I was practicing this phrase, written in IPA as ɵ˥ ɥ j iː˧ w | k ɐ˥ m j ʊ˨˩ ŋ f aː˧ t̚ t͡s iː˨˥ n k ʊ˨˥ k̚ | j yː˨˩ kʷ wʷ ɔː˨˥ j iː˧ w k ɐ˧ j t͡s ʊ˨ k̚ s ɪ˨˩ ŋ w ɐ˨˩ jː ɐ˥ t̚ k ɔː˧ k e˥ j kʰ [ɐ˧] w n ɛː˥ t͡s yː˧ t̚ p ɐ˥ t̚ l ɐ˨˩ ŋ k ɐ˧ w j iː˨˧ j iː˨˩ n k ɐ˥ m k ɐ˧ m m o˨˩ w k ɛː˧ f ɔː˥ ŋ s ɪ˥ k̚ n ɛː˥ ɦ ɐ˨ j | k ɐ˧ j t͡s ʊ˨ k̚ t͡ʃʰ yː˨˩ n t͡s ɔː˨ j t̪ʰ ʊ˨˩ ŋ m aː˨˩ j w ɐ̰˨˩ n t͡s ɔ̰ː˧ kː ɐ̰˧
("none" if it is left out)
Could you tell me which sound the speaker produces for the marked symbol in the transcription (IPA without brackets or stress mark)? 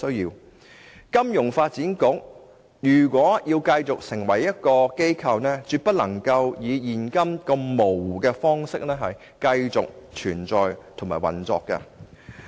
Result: ɐ˧